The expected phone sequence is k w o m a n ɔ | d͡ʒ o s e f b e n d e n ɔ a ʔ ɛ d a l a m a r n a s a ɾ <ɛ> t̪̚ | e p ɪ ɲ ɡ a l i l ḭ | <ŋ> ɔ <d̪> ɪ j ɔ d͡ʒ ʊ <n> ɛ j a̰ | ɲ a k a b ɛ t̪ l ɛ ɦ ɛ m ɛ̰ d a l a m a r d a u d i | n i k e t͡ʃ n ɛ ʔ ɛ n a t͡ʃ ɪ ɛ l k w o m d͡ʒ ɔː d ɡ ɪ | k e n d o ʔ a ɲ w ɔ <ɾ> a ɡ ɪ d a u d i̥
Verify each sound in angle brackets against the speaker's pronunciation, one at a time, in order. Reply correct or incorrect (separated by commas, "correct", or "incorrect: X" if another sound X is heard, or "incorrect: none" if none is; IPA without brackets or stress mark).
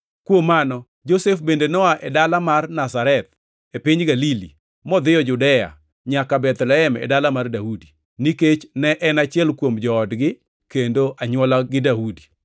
correct, incorrect: m, correct, incorrect: d, incorrect: l